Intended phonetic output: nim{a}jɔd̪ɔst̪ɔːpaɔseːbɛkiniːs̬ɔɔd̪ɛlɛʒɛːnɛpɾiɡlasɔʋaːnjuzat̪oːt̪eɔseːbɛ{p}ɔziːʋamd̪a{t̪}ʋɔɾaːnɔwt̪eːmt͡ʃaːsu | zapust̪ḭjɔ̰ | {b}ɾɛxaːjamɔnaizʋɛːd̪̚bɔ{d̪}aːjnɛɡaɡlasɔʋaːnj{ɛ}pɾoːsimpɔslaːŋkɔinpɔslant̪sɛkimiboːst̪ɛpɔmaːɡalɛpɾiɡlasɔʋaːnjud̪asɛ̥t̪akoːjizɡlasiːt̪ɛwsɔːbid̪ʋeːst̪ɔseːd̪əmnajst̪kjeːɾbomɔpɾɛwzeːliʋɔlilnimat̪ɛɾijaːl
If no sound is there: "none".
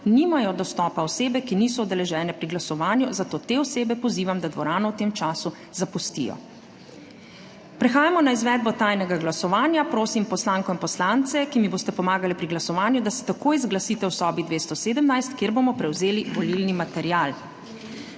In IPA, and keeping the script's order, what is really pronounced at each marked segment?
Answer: a, p, d̪, p, t̪, a

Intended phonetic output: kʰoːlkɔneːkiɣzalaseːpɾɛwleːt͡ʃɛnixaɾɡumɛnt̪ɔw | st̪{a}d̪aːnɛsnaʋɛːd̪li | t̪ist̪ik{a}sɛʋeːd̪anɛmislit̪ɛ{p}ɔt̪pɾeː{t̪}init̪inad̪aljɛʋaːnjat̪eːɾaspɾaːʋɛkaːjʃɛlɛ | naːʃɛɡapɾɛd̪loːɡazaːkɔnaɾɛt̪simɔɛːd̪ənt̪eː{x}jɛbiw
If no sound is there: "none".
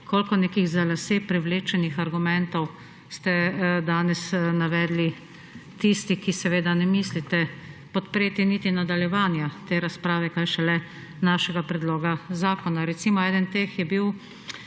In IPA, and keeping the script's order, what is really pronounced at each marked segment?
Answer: ɛ, i, p, t̪, x

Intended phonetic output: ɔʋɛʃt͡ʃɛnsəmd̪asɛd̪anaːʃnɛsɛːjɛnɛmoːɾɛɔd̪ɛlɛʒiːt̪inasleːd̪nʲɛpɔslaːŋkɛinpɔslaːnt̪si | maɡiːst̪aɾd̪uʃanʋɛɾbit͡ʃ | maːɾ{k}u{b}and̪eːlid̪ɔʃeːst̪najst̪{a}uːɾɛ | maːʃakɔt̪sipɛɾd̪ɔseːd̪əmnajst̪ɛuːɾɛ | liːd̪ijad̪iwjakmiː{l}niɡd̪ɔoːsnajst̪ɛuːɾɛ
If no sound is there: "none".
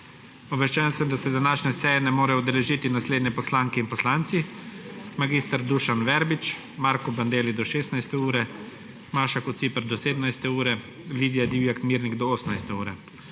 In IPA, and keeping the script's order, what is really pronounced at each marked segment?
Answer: k, b, ɛ, ɾ

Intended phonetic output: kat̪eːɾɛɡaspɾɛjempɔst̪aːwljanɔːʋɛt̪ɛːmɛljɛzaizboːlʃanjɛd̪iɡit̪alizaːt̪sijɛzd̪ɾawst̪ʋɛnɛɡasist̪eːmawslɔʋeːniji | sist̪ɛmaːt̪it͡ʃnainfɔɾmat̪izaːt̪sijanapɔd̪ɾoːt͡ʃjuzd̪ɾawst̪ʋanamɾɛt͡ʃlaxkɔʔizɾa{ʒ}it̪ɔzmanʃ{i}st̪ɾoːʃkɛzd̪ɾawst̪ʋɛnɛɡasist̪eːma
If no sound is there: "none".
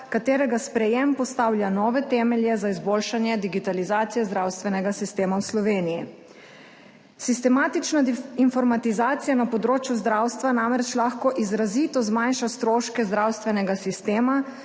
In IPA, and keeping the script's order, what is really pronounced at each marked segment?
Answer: z, a

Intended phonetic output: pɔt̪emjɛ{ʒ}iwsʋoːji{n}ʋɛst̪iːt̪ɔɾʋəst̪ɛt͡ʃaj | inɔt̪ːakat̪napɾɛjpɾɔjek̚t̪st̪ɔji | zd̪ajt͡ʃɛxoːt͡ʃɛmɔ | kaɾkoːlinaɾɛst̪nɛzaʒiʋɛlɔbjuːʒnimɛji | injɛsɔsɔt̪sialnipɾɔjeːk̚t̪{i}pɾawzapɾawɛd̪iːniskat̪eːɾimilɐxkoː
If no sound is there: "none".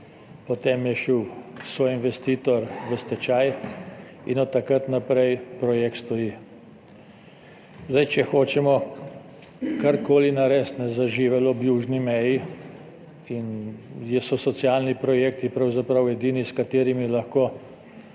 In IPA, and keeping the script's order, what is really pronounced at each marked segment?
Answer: ʃ, n, i

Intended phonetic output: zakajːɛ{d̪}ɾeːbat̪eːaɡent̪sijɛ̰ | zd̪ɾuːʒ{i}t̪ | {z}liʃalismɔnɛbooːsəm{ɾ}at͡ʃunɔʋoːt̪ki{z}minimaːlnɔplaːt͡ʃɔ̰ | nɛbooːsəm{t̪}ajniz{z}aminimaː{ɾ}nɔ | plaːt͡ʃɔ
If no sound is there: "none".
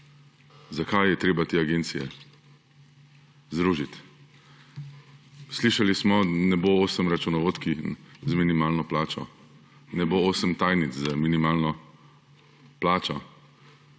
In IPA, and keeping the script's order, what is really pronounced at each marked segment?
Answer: t̪, i, s, ɾ, z, t̪, z, l

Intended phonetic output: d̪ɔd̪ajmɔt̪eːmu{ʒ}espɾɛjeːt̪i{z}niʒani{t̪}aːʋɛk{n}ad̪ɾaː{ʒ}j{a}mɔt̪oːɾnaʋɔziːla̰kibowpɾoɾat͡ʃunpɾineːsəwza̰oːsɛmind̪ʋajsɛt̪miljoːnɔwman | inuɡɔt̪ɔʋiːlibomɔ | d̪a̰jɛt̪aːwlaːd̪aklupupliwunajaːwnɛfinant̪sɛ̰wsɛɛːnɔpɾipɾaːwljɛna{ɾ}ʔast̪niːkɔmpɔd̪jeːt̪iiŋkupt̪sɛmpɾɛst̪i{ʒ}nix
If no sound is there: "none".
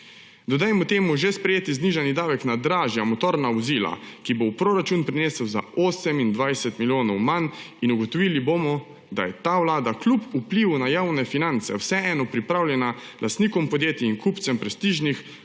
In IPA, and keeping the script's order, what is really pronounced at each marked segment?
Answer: ʒ, z, d̪, n, ʒ, a, l, ʒ

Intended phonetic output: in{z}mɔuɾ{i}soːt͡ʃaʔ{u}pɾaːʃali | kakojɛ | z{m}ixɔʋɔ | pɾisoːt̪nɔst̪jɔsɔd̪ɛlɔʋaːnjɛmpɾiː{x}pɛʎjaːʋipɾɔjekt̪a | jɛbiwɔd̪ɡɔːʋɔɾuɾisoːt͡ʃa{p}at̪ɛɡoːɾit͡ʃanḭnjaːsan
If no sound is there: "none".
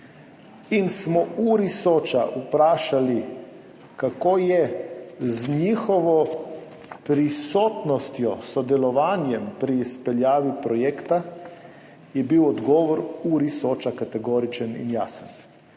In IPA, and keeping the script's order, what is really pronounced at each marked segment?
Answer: s, i, u, ɲ, s, k

